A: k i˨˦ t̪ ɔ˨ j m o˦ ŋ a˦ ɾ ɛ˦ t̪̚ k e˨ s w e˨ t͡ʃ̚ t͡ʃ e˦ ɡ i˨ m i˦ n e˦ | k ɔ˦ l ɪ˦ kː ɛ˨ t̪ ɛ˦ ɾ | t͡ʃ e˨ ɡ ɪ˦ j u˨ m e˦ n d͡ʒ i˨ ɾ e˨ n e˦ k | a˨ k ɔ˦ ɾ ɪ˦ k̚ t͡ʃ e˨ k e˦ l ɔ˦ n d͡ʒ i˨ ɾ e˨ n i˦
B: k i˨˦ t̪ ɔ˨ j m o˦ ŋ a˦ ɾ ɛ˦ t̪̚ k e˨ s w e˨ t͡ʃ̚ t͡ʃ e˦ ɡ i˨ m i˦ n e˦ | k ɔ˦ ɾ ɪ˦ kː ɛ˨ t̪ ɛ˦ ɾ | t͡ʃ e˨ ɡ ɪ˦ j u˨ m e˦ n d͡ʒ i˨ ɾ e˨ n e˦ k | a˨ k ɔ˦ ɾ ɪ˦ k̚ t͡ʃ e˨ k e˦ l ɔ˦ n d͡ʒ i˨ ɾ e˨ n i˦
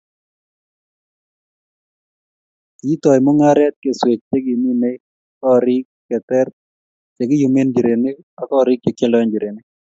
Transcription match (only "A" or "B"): B